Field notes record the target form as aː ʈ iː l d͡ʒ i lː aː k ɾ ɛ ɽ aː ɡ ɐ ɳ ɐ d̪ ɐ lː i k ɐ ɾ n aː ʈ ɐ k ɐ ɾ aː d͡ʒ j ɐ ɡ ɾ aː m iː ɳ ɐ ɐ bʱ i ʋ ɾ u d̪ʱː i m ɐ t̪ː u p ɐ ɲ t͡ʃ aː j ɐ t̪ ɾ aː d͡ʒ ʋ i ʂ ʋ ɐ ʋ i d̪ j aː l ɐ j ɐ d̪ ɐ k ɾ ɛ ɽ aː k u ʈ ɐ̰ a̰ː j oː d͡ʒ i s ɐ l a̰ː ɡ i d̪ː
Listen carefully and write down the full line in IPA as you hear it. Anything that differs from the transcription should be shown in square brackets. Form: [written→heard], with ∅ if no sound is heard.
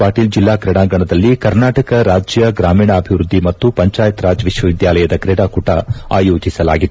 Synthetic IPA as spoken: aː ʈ iː l d͡ʒ i lː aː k ɾ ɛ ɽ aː ɡ ɐ ɳ ɐ d̪ ɐ lː i k ɐ ɾ n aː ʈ ɐ k ɐ ɾ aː d͡ʒ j ɐ ɡ ɾ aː m iː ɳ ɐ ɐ bʱ i ʋ ɾ u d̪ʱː i m ɐ t̪ː u p ɐ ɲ t͡ʃ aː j ɐ t̪ ɾ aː d͡ʒ ʋ i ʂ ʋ ɐ ʋ i d̪ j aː l ɐ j ɐ d̪ ɐ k ɾ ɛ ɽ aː k u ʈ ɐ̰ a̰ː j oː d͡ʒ i s ɐ l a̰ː ɡ i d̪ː